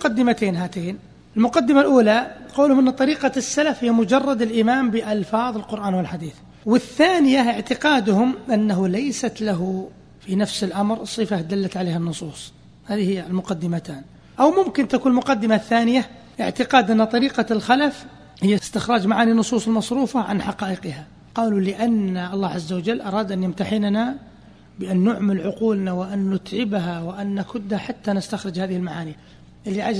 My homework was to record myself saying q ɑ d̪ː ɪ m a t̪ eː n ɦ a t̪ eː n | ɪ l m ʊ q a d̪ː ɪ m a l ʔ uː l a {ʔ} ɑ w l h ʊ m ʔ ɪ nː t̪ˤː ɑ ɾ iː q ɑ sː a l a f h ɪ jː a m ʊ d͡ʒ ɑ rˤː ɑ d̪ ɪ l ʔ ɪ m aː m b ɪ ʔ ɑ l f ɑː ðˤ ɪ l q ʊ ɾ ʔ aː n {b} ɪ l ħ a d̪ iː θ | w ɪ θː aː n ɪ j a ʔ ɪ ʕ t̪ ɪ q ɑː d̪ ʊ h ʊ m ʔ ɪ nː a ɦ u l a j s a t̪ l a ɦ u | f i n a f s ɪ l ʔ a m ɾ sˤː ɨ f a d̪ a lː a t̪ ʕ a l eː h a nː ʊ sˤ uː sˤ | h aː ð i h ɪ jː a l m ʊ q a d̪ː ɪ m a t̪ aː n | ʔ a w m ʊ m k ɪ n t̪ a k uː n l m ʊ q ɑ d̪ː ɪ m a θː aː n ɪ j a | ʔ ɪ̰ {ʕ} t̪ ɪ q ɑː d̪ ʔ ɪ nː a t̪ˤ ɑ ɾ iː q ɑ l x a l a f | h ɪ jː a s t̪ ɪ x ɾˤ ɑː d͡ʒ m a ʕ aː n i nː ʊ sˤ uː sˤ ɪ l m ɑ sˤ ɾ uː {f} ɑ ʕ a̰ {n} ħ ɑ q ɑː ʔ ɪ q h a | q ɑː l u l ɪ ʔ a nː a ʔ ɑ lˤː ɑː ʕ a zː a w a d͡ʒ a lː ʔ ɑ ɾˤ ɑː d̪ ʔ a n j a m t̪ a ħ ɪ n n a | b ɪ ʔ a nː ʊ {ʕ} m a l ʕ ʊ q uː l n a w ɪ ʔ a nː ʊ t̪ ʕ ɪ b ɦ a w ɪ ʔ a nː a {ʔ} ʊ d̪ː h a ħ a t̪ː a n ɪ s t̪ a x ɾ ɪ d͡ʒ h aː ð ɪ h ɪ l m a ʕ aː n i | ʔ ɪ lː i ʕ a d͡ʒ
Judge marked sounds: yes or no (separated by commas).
no, no, yes, yes, yes, yes, no